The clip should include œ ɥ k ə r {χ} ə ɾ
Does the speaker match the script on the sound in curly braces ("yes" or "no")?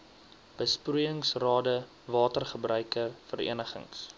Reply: no